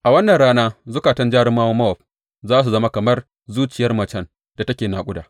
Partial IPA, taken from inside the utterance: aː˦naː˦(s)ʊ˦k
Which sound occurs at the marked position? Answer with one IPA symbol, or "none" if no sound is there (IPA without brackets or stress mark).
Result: z